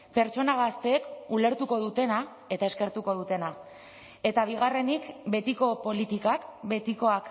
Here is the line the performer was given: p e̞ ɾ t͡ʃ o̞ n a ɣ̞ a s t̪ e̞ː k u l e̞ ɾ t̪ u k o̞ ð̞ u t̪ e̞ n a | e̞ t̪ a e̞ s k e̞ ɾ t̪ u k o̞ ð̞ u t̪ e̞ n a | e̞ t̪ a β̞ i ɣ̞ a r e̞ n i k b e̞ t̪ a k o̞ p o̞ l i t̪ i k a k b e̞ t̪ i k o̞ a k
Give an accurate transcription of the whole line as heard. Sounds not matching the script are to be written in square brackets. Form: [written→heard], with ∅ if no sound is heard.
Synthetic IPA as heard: p e̞ ɾ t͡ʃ o̞ n a ɣ̞ a s t̪ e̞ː k u l e̞ ɾ t̪ u k o̞ ð̞ u t̪ e̞ n a | e̞ t̪ a e̞ s k e̞ ɾ t̪ u k o̞ ð̞ u t̪ e̞ n a | e̞ t̪ a β̞ i ɣ̞ a r e̞ n i k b e̞ t̪ [a→i] k o̞ p o̞ l i t̪ i k a k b e̞ t̪ i k o̞ a k